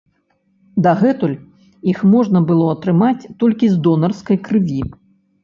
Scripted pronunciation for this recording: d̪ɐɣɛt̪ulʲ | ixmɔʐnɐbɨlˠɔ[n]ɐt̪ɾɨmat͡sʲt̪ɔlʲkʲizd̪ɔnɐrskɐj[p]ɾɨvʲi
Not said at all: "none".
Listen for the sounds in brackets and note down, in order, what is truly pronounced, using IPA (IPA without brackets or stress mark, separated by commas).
none, k